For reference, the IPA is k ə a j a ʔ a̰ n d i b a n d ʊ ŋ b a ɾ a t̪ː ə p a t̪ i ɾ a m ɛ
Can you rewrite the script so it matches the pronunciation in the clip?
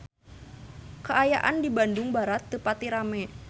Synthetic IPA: k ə a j a ʔ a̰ n d i b a n d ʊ ŋ b a ɾ a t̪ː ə p a t̪ i ɾ a m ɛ